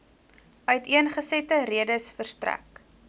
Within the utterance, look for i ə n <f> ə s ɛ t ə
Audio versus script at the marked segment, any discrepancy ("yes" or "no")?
yes